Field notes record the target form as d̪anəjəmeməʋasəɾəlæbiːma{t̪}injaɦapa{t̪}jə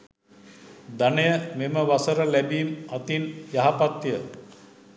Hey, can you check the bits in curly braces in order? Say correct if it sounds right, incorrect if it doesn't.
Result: correct, correct

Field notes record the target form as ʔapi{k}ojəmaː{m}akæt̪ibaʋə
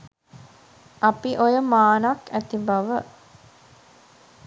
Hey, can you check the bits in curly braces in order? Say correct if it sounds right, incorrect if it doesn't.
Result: incorrect: ʔ, incorrect: n

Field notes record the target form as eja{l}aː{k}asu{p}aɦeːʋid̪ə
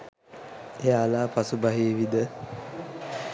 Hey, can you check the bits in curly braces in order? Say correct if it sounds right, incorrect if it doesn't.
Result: correct, incorrect: p, incorrect: b

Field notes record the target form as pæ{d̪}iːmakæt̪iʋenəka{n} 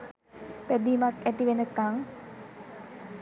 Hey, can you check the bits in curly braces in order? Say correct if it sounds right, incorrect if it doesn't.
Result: correct, incorrect: ŋ

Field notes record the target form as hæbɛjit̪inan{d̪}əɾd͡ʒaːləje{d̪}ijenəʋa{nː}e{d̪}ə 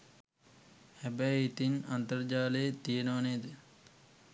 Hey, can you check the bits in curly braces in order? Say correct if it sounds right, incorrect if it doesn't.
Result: incorrect: t̪, incorrect: t̪, incorrect: n, correct

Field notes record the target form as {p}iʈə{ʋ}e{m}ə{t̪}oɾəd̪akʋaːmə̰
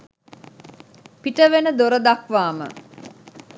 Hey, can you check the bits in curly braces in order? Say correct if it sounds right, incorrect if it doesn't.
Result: correct, correct, incorrect: n, incorrect: d̪

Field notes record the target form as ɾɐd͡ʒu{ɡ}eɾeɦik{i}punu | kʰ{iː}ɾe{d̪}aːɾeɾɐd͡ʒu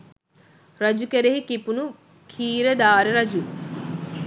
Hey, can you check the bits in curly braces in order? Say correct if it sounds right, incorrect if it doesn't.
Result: incorrect: k, correct, correct, correct

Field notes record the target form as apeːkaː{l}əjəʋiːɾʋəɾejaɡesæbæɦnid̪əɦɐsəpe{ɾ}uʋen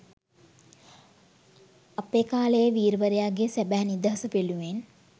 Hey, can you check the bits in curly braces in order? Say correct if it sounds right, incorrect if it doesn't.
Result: correct, incorrect: l

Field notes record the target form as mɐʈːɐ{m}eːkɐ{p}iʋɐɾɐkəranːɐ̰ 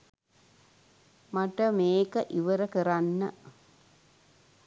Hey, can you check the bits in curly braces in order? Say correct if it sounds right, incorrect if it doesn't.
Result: correct, incorrect: ʔ

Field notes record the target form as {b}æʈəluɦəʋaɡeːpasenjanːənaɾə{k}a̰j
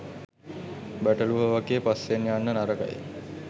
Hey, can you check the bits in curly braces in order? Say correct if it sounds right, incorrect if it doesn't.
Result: correct, correct

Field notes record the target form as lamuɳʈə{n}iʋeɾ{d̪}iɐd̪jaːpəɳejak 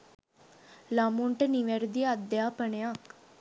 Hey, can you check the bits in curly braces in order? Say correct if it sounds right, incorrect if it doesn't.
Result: correct, correct

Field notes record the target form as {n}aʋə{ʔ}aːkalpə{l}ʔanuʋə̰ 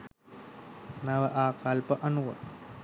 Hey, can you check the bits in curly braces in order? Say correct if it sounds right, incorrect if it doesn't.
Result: correct, correct, incorrect: none

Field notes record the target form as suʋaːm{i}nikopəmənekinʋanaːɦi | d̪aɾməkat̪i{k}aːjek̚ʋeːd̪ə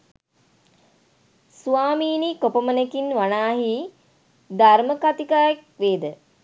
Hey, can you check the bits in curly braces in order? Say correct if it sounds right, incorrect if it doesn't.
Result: incorrect: iː, correct

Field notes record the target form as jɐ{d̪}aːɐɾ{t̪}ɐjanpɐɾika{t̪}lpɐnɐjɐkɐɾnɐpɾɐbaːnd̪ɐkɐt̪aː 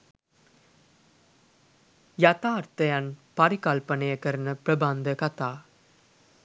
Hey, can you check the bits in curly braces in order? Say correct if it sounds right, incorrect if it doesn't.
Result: incorrect: t̪, correct, incorrect: none

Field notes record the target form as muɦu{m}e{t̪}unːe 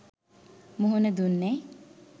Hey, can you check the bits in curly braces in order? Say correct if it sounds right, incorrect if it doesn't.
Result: incorrect: n, incorrect: d̪

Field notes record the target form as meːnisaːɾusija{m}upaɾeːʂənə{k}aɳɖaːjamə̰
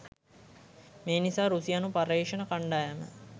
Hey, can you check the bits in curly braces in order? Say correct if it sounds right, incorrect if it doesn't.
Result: incorrect: n, correct

